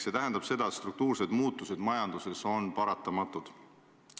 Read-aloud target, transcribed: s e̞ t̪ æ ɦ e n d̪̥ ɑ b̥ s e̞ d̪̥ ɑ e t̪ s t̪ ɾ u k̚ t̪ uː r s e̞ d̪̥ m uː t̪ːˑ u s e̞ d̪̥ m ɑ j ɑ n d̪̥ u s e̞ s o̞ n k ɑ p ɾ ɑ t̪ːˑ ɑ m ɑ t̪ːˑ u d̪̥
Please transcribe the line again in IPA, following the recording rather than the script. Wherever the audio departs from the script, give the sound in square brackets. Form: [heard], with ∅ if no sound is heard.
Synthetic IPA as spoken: s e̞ t̪ æ ɦ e n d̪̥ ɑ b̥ s e̞ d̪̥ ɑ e t̪ s t̪ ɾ u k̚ t̪ uː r s e̞ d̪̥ m uː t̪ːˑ u s e̞ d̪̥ m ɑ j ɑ n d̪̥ u s e̞ s o̞ n [p] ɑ [∅] ɾ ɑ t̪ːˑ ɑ m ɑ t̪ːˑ u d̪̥